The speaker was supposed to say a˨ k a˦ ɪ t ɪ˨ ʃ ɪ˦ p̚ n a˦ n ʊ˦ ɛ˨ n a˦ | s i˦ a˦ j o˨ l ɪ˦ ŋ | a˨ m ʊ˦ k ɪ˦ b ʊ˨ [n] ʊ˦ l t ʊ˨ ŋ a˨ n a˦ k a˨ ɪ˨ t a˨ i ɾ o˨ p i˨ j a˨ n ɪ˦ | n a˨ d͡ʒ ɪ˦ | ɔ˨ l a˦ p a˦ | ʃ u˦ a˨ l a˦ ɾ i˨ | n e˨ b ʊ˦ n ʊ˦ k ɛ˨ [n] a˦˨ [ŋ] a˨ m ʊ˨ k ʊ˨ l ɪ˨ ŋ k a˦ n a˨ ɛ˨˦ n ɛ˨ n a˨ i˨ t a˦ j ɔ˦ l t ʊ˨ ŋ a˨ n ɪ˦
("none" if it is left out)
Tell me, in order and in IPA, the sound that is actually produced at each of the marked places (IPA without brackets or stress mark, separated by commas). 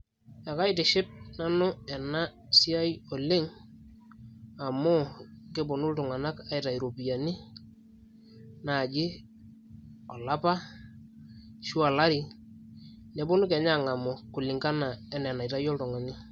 n, ɲ, ŋ